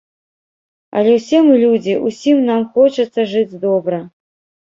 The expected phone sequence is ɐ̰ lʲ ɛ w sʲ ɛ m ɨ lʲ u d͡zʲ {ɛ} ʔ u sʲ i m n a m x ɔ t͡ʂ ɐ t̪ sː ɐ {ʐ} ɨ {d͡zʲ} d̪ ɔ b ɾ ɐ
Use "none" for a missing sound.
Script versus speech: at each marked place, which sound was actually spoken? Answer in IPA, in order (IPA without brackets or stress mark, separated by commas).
i, ʐ, d͡zʲ